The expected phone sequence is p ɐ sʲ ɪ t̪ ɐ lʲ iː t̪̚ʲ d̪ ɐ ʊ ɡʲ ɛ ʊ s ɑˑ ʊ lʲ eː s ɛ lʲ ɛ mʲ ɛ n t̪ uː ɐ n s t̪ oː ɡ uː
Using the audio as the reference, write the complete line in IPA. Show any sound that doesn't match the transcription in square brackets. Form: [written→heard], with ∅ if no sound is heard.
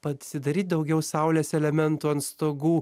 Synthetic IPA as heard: p ɐ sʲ ɪ [t̪→d̪] ɐ [lʲ→ɾʲ] iː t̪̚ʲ d̪ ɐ ʊ ɡʲ ɛ ʊ s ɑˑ ʊ lʲ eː s ɛ lʲ ɛ mʲ ɛ n t̪ uː ɐ n s t̪ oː ɡ uː